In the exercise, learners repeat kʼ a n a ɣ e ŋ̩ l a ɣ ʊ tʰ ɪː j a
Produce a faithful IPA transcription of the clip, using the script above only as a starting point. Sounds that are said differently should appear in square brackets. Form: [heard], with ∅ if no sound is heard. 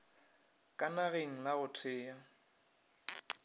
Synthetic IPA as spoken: kʼ a n a ɣ e ŋ̩ l a ɣ ʊ tʰ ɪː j a

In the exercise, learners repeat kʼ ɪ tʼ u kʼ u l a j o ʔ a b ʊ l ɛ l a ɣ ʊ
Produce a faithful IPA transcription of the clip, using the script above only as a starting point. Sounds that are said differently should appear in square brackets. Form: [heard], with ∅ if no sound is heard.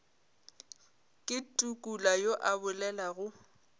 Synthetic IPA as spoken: kʼ ɪ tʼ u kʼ u l a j o ʔ a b ʊ l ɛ l a ɣ ʊ

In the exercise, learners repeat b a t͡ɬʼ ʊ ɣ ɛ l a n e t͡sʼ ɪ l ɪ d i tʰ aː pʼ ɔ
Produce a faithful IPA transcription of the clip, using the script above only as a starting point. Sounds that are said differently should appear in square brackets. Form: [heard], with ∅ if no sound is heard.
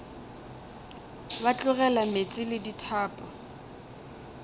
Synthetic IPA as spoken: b a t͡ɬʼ ʊ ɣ ɛ l a [m] e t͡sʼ ɪ l ɪ d i tʰ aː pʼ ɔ

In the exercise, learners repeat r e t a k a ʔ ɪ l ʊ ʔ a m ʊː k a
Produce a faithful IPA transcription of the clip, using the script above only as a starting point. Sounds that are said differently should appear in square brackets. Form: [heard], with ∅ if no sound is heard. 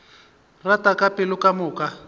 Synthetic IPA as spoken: r [a] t a k a [p] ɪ l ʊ [k] a m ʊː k a

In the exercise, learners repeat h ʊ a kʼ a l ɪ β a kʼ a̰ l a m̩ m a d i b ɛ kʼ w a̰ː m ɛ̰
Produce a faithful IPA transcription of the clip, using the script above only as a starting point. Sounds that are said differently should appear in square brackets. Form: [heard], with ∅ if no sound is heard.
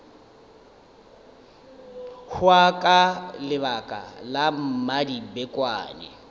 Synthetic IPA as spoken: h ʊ a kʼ a l ɪ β a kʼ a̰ l a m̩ m a d i b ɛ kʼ w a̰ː [n] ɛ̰

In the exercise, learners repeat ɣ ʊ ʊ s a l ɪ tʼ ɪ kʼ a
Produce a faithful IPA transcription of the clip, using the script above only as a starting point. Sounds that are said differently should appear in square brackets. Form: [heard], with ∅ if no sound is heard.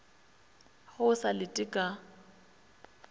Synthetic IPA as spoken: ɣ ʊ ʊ s a l ɪ tʼ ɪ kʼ a

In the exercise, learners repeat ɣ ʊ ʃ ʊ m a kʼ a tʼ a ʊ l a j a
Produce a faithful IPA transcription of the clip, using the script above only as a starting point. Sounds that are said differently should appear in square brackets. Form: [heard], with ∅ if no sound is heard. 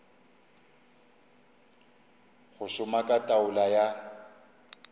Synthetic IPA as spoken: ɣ ʊ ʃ ʊ m a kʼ a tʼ a ʊ l a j a

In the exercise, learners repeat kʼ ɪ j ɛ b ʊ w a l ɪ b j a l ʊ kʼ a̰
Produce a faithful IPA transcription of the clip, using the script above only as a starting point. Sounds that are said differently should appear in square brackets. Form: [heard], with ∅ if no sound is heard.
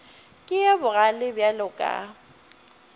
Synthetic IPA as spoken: kʼ ɪ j ɛ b ʊ [ɣ] a l ɪ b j a l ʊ kʼ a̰

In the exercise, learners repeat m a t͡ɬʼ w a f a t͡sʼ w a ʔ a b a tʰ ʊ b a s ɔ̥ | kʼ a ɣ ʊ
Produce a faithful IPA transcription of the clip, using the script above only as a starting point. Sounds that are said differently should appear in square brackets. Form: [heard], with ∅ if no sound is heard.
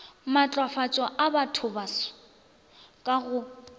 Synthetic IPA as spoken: m a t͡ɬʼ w a f a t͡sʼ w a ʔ a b a tʰ ʊ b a s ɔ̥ | kʼ a ɣ ʊ

